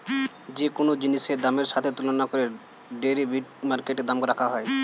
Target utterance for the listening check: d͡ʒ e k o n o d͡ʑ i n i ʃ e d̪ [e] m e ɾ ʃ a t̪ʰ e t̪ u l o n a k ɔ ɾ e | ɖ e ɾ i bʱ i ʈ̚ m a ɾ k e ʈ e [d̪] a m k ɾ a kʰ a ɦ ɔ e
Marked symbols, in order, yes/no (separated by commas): no, yes